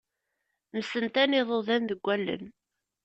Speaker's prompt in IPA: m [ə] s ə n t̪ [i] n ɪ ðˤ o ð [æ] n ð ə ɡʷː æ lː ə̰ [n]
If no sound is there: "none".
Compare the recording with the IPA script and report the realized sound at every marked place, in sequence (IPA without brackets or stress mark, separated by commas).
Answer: ə, æ, æ, n